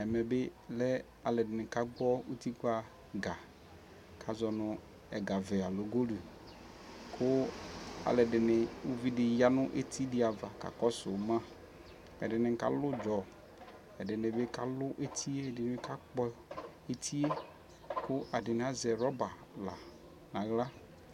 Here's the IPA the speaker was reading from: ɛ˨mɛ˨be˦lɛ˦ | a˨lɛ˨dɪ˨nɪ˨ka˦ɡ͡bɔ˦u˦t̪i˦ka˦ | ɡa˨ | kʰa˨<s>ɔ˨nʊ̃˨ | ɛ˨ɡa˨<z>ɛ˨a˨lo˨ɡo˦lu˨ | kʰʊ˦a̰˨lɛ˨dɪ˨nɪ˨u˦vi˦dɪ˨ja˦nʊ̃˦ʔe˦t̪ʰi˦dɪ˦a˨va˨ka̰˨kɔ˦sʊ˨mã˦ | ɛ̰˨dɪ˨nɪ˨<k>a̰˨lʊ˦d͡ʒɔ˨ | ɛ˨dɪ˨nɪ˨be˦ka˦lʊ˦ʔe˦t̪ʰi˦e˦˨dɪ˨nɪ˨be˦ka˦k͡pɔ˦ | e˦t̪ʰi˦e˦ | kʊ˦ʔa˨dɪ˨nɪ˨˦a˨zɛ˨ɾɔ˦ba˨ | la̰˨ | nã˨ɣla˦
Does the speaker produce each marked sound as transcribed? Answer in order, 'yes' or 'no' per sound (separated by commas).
no, no, yes